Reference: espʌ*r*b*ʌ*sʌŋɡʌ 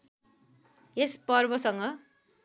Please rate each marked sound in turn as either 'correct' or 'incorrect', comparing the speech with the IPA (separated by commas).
correct, correct